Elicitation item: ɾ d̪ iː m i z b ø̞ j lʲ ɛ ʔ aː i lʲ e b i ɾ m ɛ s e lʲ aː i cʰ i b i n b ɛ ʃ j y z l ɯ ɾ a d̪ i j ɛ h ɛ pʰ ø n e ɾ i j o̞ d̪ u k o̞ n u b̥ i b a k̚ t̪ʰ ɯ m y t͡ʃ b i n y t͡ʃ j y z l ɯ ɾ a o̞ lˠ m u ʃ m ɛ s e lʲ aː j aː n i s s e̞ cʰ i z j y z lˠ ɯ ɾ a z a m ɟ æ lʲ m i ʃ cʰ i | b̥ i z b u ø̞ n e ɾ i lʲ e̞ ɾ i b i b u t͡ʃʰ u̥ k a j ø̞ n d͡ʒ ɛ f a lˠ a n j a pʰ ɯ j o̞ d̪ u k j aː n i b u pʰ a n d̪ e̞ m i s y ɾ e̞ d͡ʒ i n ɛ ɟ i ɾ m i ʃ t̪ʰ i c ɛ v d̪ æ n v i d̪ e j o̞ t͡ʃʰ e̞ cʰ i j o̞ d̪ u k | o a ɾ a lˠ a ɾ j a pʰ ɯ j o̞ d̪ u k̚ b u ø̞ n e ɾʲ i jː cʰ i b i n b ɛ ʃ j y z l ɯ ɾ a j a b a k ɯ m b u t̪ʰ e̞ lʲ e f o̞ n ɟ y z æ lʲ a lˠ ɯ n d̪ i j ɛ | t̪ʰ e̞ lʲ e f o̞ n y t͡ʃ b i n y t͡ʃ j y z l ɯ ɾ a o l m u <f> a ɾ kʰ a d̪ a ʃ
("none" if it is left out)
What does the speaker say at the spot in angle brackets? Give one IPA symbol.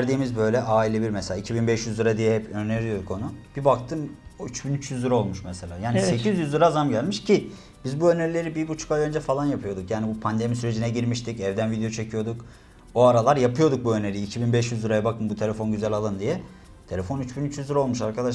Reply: ʃ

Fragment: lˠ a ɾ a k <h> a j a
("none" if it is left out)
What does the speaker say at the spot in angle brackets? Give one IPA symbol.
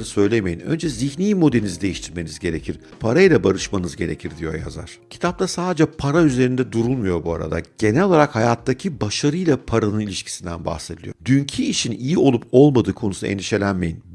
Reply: h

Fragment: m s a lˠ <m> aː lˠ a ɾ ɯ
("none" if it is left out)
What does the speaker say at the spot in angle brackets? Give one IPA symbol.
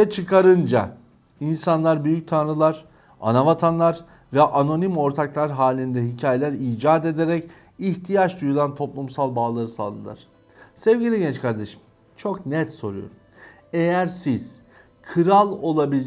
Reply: b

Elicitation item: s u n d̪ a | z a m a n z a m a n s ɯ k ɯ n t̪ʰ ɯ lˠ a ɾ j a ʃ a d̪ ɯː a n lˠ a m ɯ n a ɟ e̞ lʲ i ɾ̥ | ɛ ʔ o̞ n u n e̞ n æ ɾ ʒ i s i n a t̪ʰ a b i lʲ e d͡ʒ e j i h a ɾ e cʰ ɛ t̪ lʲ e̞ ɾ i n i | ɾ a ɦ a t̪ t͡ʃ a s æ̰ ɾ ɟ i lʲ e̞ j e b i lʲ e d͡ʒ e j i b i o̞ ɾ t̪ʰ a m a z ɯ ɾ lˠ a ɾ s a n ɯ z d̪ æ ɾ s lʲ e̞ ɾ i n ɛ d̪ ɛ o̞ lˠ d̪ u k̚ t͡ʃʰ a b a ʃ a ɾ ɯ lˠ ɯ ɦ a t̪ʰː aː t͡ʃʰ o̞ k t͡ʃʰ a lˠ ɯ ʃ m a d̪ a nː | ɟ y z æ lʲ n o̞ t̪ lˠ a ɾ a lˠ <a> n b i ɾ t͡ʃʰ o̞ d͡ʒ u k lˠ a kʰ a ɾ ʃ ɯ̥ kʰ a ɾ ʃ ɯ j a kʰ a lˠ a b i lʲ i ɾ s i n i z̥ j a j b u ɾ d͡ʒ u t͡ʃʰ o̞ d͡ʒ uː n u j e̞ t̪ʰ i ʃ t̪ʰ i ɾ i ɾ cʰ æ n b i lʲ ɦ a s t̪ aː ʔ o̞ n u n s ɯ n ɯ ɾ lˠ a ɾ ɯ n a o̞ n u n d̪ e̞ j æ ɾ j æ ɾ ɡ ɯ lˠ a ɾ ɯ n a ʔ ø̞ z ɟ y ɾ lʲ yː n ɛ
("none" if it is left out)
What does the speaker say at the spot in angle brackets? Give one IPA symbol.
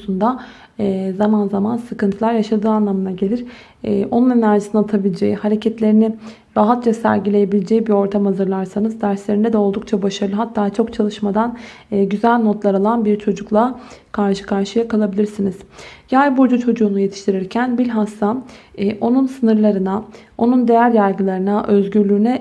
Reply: a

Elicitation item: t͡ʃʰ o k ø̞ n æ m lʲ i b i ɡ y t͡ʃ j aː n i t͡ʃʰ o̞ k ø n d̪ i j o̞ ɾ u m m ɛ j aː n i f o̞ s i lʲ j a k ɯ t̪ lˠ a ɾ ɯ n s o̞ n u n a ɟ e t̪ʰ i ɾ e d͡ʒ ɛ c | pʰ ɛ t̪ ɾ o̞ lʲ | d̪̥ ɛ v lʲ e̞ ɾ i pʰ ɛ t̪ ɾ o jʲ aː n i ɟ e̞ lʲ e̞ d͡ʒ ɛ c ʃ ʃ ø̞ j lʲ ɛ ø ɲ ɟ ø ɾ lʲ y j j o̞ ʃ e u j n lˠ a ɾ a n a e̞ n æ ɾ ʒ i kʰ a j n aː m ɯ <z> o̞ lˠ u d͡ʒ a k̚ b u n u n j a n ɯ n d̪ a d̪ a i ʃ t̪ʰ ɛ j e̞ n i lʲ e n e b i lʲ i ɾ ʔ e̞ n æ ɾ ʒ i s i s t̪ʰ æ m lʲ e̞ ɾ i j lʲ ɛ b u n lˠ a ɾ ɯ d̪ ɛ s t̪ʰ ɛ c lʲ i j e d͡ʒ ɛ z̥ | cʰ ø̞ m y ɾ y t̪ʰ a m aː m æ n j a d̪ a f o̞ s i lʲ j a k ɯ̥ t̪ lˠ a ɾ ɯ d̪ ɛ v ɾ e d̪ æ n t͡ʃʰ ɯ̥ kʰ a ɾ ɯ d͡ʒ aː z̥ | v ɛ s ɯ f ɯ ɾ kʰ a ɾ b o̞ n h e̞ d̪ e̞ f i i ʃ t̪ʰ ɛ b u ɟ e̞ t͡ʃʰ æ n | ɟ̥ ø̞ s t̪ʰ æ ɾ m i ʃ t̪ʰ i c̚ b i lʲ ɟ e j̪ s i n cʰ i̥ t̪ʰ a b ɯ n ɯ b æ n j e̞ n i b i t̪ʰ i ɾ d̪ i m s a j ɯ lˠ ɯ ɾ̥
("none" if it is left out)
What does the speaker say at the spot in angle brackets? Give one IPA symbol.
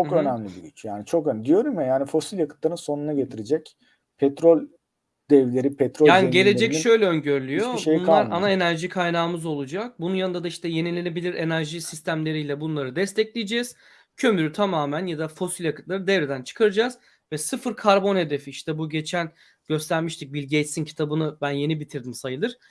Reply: z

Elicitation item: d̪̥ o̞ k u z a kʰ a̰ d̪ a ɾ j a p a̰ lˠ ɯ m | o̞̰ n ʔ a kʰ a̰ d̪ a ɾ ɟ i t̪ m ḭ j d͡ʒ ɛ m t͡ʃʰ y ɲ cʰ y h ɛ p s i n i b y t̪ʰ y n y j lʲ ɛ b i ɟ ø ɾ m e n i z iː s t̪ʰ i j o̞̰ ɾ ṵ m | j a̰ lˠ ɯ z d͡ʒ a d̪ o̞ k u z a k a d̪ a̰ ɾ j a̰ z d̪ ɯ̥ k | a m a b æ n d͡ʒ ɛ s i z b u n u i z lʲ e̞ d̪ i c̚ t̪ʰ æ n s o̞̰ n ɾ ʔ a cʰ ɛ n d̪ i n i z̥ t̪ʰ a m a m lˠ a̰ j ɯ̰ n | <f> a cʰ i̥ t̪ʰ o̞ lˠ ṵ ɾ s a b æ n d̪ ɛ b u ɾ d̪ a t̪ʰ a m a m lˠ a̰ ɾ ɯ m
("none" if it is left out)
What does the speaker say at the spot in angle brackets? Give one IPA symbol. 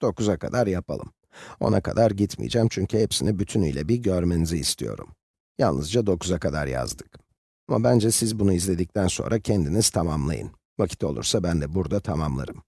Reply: v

